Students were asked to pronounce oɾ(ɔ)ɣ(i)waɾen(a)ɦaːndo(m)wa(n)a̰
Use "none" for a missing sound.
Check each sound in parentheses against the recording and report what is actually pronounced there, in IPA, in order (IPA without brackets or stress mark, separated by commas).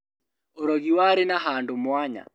ɔ, i, a, m, ɲ